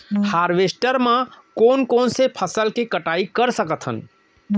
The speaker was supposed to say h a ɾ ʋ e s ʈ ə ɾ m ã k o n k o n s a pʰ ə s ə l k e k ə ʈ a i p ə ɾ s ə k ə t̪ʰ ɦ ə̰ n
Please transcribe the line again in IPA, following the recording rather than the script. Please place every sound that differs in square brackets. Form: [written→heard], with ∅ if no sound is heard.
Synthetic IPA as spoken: h a ɾ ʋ e s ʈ ə ɾ m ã k o n k o n s [a→e] pʰ ə s ə l k e k ə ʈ a i [p→k] ə ɾ s ə k ə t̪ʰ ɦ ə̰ n

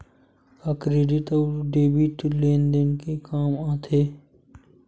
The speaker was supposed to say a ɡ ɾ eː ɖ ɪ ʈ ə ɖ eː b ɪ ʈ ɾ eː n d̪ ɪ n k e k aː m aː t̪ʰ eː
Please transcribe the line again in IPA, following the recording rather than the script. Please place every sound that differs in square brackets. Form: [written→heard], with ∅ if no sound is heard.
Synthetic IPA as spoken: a [ɡ→k] ɾ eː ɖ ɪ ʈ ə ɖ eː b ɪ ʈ [ɾ→l] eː n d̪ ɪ n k e k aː m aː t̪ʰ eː

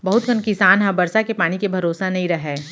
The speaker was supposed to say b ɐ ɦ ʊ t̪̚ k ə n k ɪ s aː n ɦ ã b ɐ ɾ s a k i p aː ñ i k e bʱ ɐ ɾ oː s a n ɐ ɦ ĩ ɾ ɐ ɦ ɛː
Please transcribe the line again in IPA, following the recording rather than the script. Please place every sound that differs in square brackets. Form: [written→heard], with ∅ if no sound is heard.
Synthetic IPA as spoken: b ɐ ɦ ʊ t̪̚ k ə n k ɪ s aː n ɦ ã b ɐ ɾ s a k [i→e] p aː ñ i k e bʱ ɐ ɾ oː s a n ɐ ɦ ĩ ɾ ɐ ɦ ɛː

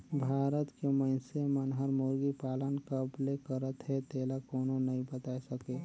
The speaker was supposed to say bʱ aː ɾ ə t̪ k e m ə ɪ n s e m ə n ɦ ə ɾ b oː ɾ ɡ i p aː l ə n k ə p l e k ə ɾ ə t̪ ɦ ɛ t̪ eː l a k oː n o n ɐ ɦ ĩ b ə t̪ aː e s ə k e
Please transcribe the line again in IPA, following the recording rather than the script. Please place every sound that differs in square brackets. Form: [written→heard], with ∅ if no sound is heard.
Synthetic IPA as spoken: bʱ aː ɾ ə t̪ k e m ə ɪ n s e m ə n ɦ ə ɾ [b→m] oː ɾ ɡ i p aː l ə n k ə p l e k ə ɾ ə t̪ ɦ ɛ t̪ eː l a k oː n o n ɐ ɦ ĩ b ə t̪ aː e s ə k e

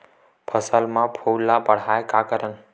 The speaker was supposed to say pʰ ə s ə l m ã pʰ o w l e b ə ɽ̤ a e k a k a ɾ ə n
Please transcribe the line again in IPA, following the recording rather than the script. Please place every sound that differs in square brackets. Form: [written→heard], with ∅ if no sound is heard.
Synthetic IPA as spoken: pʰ ə s ə l m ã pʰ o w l [e→a] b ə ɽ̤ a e k a k [a→ə] ɾ ə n

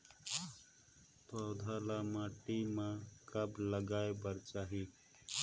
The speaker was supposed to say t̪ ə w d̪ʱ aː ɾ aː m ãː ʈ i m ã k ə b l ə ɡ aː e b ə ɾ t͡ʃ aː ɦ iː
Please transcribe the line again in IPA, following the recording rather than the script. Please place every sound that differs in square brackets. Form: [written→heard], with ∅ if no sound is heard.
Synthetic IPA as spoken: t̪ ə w d̪ʱ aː [ɾ→l] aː m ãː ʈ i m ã k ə b l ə ɡ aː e b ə ɾ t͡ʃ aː ɦ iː

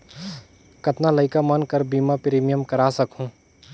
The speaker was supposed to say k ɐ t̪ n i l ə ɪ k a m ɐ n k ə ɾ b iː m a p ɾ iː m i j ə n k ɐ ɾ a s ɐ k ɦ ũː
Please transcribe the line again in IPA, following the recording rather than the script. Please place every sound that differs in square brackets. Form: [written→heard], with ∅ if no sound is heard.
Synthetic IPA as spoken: k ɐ t̪ n [i→a] l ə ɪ k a m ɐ n k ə ɾ b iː m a p ɾ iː m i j ə [n→m] k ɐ ɾ a s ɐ k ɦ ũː

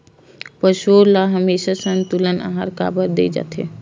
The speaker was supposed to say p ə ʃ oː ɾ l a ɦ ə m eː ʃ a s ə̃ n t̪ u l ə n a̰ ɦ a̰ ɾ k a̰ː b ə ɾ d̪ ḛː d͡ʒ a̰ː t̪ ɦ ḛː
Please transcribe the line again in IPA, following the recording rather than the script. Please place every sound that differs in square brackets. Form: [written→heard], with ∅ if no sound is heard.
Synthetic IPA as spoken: p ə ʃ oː ɾ l a ɦ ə m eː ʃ a s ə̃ n t̪ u l ə n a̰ ɦ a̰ ɾ k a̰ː b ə ɾ d̪ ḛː d͡ʒ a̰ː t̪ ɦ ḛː

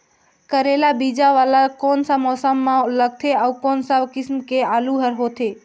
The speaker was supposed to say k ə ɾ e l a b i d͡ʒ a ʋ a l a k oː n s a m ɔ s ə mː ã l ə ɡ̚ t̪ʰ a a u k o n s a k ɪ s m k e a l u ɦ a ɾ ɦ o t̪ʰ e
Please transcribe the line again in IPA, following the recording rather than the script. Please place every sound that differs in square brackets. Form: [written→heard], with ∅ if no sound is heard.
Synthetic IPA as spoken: k ə ɾ e l a b i d͡ʒ a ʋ a l a k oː n s a m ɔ s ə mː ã l ə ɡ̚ t̪ʰ [a→e] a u k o n s a k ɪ s m k e a l u ɦ [a→ə] ɾ ɦ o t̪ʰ e

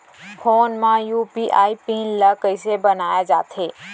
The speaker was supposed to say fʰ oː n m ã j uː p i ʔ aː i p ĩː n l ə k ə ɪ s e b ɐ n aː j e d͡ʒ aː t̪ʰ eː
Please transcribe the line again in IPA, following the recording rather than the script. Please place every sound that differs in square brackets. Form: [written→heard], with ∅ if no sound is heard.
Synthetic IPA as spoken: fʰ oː n m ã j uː p i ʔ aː i p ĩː n l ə k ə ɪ s e b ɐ n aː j [e→a] d͡ʒ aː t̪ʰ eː

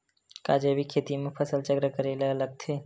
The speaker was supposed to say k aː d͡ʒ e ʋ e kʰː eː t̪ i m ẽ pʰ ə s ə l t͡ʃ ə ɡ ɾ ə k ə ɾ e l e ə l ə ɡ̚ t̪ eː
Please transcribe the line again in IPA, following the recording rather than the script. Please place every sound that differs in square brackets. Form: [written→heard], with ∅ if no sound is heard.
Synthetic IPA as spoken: k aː d͡ʒ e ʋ [e→i] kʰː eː t̪ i m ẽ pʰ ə s ə l t͡ʃ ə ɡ ɾ ə k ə ɾ e l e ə l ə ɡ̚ [t̪→t̪ʰ] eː

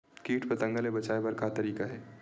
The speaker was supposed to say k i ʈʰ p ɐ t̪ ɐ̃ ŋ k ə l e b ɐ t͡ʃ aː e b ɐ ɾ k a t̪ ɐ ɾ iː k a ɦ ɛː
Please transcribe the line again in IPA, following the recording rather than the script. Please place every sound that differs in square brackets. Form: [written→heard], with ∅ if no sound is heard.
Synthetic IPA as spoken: k [i→iː] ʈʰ p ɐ t̪ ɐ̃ ŋ [k→ɡ] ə l e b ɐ t͡ʃ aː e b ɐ ɾ k a t̪ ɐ ɾ iː k a ɦ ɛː

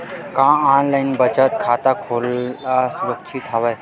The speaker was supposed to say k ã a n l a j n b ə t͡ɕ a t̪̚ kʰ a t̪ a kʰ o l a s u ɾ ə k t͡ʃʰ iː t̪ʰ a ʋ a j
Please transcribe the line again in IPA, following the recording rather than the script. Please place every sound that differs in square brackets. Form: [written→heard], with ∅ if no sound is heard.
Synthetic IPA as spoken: k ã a n l a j n b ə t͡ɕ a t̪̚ kʰ a t̪ a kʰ o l a s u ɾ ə k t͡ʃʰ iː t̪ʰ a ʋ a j

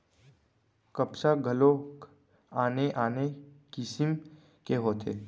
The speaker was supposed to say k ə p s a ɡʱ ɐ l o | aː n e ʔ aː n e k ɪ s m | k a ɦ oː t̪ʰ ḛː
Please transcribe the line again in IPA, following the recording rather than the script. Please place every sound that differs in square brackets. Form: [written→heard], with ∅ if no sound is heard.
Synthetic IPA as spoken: k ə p s a ɡʱ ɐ l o | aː n e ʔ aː n e k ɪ s m | k [a→e] ɦ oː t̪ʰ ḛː

